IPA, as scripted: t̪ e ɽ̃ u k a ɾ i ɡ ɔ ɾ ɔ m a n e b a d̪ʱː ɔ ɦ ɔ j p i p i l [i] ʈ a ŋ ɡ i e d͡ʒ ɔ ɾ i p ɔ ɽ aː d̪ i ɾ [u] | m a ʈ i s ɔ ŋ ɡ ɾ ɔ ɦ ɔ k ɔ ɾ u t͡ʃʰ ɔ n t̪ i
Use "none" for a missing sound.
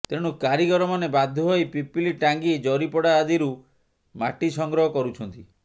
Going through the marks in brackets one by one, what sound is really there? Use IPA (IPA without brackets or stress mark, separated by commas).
i, u